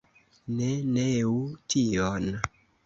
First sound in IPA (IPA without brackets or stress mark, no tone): n